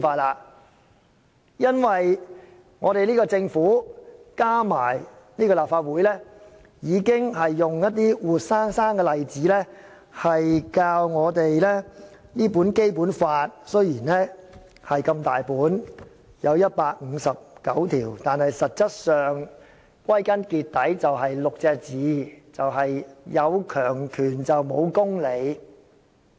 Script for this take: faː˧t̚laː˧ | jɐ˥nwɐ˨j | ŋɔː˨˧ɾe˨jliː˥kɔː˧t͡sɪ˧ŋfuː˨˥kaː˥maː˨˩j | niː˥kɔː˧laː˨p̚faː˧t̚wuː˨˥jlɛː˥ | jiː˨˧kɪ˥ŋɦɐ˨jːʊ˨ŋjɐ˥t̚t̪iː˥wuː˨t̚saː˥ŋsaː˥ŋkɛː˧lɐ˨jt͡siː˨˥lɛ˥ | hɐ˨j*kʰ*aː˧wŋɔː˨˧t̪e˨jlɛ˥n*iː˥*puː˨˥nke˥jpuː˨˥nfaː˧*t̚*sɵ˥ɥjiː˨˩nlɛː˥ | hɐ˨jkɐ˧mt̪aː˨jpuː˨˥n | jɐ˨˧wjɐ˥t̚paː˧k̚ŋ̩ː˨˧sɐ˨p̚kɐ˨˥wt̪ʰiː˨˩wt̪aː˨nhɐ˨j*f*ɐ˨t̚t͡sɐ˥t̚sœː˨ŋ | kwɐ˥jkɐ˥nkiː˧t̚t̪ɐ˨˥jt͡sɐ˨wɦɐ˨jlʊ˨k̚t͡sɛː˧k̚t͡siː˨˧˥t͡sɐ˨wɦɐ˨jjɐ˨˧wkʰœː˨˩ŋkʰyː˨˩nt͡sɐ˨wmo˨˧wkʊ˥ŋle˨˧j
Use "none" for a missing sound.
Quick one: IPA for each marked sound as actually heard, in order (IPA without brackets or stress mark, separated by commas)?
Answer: k, iː˥, t̚, s